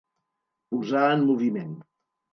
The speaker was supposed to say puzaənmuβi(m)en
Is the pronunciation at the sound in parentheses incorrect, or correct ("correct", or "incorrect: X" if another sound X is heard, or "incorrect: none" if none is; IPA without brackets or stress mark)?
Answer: correct